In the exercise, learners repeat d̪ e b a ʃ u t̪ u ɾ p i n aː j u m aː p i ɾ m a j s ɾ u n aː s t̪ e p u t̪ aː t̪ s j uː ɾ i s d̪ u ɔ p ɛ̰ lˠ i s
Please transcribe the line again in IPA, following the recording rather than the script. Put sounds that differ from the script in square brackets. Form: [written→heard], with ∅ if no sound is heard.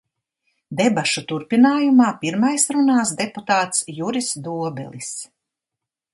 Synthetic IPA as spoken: d̪ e b a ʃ u t̪ u ɾ p i n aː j u m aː p i ɾ m a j s ɾ u n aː s [t̪→d̪] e p u t̪ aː t̪ s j [uː→u] ɾ i s d̪ u ɔ [p→b] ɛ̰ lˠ i s